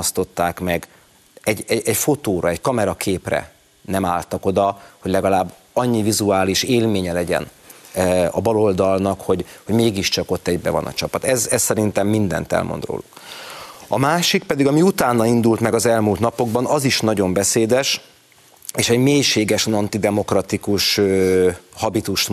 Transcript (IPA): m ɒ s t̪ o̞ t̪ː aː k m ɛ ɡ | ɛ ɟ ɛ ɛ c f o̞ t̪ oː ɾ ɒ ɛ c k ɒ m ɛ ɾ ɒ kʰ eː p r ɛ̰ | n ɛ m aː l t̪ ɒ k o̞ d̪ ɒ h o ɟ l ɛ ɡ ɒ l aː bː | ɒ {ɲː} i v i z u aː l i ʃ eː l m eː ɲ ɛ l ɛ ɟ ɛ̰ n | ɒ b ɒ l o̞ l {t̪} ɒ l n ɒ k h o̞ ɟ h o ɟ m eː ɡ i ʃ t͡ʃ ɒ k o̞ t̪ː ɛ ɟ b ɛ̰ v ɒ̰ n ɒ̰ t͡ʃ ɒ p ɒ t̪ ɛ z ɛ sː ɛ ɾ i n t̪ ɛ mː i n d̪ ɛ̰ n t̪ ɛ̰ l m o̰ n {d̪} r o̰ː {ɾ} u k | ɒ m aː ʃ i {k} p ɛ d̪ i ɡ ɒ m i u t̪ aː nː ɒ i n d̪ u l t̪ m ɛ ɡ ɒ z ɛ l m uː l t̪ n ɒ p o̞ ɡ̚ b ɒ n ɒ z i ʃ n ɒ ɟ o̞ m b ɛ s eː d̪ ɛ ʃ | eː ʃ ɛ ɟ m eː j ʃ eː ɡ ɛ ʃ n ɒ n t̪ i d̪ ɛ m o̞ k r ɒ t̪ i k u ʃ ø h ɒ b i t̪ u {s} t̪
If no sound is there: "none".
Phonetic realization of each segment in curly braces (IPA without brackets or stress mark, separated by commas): ɲː, d̪, d̪, l, k, ʃ